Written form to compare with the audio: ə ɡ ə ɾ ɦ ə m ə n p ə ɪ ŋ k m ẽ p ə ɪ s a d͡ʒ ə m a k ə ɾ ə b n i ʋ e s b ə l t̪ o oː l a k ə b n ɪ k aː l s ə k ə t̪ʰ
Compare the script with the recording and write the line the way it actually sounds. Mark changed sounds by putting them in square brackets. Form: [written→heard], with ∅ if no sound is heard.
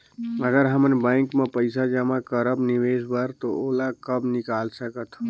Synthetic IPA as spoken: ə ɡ ə ɾ ɦ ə m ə n [p→b] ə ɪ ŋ k m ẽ p ə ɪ s a d͡ʒ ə m a k ə ɾ ə b n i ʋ e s b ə [l→ɾ] t̪ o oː l a k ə b n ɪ k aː l s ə k ə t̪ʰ